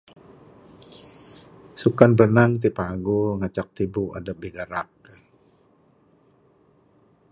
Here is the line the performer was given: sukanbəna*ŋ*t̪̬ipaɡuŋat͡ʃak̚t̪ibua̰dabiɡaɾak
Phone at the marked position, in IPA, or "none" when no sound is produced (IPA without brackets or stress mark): ŋ